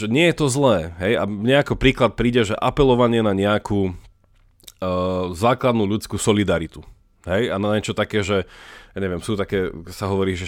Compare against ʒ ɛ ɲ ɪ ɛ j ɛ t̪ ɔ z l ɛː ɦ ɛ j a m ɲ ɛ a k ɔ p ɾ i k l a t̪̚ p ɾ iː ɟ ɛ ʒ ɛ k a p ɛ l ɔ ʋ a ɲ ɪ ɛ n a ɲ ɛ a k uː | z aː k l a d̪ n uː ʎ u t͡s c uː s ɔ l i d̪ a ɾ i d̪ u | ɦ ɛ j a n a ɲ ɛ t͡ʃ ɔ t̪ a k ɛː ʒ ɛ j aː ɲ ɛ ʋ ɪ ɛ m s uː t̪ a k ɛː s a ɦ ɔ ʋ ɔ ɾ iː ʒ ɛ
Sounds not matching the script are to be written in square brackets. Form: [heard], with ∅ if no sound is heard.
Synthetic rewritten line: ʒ ɛ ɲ ɪ ɛ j ɛ t̪ ɔ z l ɛː ɦ ɛ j a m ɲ ɛ a k ɔ p ɾ [iː] k l a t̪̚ p ɾ iː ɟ ɛ ʒ ɛ [ʔ] a p ɛ l ɔ ʋ a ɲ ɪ ɛ n a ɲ ɛ a k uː | z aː k l a d̪ n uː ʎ u t͡s [k] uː s ɔ l i d̪ a ɾ i [t̪] u | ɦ ɛ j a n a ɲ ɛ t͡ʃ ɔ t̪ a k ɛː ʒ ɛ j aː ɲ ɛ ʋ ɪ ɛ m s uː t̪ a k ɛː s a ɦ ɔ ʋ ɔ ɾ iː ʒ ɛ